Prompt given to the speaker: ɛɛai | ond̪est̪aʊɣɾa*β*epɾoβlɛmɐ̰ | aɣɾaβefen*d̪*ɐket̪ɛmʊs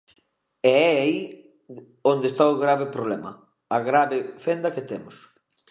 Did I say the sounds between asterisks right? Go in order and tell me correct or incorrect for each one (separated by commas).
correct, correct